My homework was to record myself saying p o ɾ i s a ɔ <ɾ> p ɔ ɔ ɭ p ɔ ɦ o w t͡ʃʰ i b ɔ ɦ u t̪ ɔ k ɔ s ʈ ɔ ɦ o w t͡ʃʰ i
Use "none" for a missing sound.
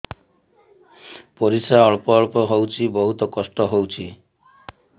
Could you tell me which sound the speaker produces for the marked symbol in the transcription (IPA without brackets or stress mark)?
ɭ